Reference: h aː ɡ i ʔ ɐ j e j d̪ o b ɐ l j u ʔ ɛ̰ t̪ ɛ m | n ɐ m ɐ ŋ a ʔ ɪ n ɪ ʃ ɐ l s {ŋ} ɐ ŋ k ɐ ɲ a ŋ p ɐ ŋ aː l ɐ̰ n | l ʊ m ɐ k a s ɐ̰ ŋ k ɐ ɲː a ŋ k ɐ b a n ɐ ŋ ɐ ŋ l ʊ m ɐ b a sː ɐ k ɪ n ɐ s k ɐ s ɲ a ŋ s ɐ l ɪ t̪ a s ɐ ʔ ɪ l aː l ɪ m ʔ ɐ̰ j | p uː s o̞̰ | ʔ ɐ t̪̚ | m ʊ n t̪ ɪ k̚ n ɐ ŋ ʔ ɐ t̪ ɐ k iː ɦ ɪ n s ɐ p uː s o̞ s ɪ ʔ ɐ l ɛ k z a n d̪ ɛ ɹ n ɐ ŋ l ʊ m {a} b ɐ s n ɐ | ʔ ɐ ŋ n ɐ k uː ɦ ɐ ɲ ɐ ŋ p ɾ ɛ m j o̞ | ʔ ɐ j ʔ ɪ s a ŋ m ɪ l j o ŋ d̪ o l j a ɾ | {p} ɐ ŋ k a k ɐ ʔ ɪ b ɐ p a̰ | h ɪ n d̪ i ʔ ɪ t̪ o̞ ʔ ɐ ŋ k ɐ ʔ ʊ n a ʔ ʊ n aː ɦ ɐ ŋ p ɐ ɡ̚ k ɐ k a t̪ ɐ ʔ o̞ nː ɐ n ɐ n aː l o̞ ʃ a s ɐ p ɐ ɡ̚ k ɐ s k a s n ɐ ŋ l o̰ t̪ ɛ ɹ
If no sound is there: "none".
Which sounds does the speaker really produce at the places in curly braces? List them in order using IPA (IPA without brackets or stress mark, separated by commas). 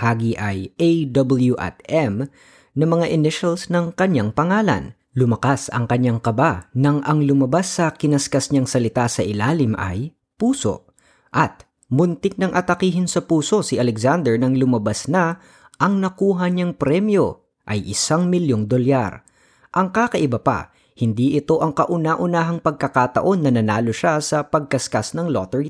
n, ɐ, ʔ